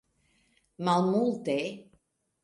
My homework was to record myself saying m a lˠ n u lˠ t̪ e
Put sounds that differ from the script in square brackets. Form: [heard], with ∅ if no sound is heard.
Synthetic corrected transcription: m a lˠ [m] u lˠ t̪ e